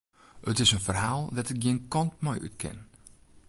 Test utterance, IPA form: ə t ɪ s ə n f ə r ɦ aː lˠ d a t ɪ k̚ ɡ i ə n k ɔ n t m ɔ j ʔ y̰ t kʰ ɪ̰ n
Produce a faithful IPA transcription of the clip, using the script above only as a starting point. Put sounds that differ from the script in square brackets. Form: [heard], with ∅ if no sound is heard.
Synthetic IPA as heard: ə t ɪ s ə n f ə r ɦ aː lˠ d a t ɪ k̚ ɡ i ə n k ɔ n t m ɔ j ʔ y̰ t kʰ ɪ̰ n